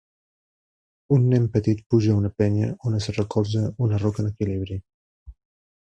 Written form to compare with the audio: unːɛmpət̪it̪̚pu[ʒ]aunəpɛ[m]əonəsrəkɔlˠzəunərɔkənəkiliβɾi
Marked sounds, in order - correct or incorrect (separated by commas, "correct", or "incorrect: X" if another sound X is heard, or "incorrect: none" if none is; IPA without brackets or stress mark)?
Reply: correct, incorrect: ɲ